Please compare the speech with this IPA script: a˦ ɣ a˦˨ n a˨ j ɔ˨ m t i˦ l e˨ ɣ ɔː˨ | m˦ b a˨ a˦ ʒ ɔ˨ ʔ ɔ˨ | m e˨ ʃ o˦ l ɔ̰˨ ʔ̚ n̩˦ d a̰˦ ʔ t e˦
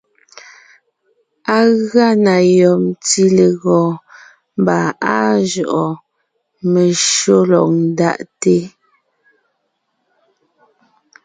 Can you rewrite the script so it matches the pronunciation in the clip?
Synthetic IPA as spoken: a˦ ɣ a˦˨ n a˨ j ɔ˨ m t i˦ l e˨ ɣ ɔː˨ | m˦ b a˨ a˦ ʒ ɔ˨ ʔ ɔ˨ | m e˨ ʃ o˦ l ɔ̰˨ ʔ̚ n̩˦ d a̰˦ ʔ t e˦